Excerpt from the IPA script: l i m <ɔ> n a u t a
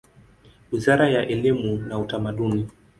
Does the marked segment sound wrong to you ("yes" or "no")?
yes